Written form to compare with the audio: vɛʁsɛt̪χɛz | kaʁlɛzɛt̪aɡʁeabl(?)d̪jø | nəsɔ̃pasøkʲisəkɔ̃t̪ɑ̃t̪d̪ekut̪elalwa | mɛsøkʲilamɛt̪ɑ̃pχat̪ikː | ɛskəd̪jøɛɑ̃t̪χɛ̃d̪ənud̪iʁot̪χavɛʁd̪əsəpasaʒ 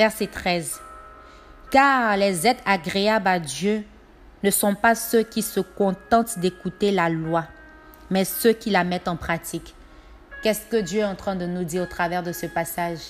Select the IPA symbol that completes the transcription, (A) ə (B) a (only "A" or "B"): B